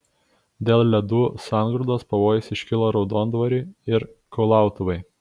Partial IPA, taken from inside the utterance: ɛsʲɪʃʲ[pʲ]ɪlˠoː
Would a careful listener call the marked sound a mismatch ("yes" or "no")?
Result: yes